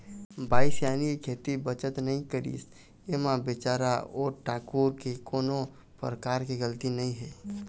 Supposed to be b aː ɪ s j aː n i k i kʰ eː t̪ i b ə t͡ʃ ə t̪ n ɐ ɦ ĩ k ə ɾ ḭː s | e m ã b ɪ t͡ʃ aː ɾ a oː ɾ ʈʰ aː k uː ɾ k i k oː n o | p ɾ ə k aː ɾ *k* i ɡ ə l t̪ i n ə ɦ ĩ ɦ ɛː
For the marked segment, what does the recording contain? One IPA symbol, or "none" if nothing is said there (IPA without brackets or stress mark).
k